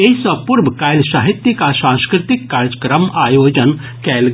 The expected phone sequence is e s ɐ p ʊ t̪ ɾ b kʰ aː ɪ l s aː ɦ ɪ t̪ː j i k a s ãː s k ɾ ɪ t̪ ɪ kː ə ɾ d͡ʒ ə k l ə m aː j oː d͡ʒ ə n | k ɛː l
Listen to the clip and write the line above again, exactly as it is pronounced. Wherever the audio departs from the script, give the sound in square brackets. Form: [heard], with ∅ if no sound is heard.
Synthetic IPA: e s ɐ p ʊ [∅] ɾ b [k] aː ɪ l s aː ɦ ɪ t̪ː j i k a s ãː s k ɾ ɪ t̪ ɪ kː [a] ɾ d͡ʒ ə k [ɾ] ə m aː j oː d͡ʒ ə n | k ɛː l

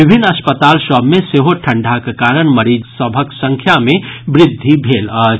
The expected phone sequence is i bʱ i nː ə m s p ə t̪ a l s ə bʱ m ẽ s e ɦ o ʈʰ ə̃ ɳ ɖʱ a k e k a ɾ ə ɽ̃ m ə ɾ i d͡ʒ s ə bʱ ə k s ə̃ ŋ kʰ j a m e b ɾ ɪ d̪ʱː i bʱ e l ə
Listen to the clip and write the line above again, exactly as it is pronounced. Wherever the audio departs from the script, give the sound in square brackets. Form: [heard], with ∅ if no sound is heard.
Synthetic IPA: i bʱ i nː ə [∅] s p ə t̪ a l s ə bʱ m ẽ s e ɦ o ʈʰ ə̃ ɳ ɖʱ a k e k a ɾ ə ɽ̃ m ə ɾ i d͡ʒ s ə bʱ ə k s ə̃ ŋ kʰ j a m e b ɾ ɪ d̪ʱː i bʱ e l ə

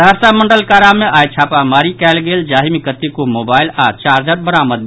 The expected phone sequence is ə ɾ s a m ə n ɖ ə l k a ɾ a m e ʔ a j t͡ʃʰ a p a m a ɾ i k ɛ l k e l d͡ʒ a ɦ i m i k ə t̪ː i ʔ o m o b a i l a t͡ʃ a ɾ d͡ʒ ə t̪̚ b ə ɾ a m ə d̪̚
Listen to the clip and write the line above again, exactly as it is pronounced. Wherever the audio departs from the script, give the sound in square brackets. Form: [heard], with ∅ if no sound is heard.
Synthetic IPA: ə ɾ s a m ə [ɳ] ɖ ə l k a ɾ a m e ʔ a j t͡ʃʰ a p a m a ɾ i k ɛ l [ɡ] e l d͡ʒ a ɦ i m i k ə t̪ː i [k] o m o b a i l a t͡ʃ a ɾ d͡ʒ ə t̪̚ b ə ɾ a m ə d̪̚

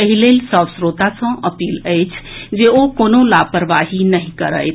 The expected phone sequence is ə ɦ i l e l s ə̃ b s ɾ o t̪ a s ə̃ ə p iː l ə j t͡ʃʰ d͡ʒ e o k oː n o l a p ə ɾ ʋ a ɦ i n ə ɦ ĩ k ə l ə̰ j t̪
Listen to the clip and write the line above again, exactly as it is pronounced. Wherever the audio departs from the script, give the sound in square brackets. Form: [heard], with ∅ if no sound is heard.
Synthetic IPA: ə ɦ i l e l s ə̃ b s ɾ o t̪ a s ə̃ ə p iː l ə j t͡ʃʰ d͡ʒ e o k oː n o l a p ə ɾ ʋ a ɦ i n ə ɦ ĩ k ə [ɾ] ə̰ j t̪

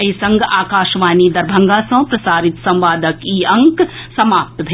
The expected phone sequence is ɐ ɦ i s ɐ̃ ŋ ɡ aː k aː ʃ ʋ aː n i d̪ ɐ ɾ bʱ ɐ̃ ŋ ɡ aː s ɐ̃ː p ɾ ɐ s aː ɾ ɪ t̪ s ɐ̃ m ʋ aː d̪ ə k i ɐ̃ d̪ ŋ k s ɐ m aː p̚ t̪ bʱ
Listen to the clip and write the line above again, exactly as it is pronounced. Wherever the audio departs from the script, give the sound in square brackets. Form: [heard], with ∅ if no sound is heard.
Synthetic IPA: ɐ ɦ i s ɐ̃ ŋ ɡ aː k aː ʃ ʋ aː n i d̪ ɐ ɾ bʱ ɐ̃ ŋ ɡ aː s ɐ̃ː p ɾ ɐ s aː ɾ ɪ t̪ s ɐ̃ m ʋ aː d̪ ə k i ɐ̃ [∅] ŋ k s ɐ m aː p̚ t̪ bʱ

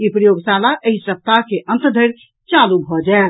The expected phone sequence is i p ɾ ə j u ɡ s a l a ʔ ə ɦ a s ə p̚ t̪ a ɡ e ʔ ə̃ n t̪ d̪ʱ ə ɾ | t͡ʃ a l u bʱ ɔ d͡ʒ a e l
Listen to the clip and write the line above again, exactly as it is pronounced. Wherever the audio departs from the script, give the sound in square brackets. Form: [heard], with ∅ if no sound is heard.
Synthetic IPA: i p ɾ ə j [o] ɡ s a l a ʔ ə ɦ [i] s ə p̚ t̪ a [k] e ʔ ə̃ n t̪ d̪ʱ ə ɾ | t͡ʃ a l u bʱ ɔ d͡ʒ a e l

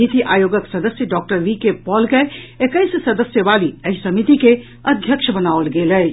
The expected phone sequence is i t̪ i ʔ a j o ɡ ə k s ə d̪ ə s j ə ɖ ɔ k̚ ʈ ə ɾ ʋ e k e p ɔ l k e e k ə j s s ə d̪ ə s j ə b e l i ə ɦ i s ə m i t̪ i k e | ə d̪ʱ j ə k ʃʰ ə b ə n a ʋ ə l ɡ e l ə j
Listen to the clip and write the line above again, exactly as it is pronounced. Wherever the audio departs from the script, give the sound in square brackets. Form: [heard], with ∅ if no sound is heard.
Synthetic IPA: i t̪ i ʔ a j o ɡ ə k s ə d̪ ə s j ə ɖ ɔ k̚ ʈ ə ɾ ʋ [i] k e p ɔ l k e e k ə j s s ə d̪ ə s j ə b [a] l i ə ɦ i s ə m i t̪ i k e | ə d̪ʱ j ə k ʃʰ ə b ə n a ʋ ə l ɡ e l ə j

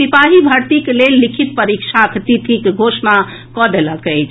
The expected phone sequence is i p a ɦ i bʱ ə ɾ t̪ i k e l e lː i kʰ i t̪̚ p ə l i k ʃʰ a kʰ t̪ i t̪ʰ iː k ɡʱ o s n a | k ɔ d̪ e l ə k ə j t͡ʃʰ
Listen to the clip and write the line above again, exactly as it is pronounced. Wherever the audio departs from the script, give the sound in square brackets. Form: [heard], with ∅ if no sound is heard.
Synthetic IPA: i p a ɦ i bʱ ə ɾ t̪ i k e l e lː i kʰ i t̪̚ p ə [ɾ] i k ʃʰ a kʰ t̪ i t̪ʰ [i] k ɡʱ o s n a | k ɔ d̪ e l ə k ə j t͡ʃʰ

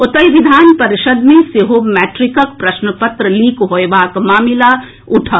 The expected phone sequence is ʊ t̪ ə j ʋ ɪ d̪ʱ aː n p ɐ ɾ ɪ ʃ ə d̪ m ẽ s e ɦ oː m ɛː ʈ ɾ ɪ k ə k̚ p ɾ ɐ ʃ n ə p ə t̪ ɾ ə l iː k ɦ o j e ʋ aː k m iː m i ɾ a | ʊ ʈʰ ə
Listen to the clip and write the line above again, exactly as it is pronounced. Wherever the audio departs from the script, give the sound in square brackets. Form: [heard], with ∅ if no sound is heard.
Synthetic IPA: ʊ t̪ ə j ʋ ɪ d̪ʱ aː n p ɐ ɾ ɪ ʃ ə d̪ m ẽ s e ɦ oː m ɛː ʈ ɾ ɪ k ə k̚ p ɾ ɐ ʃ n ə p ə t̪ ɾ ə l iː k ɦ o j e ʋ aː k m [aː] m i [l] a | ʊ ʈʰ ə

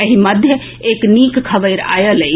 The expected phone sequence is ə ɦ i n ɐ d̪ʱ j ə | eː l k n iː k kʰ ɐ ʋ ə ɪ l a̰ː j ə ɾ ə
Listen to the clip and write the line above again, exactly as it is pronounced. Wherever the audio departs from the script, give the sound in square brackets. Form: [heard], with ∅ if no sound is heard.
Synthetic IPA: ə ɦ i [m] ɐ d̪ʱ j ə | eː [∅] k n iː k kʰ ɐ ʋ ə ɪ [ɾ] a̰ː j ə [l] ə

